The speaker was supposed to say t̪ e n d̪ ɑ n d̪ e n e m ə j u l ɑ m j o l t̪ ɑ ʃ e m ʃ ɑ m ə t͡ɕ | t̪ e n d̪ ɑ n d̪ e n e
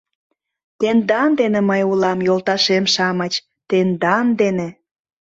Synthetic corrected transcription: t̪ e n d̪ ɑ n d̪ e n e m ə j u l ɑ m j o l t̪ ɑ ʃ e m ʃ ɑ m ə t͡ɕ | t̪ e n d̪ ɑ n d̪ e n e